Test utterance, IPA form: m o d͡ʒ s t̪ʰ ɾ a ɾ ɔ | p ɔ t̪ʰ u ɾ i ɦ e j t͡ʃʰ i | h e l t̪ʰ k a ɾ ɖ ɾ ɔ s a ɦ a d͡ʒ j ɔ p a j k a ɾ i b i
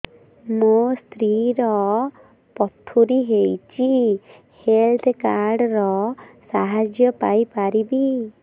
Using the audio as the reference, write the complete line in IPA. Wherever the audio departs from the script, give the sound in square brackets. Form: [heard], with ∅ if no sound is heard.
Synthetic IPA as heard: m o [∅] s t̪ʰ ɾ [i] ɾ ɔ | p ɔ t̪ʰ u ɾ i ɦ e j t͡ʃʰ i | h e l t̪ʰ k a ɾ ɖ ɾ ɔ s a ɦ a d͡ʒ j ɔ p a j [p] a ɾ i b i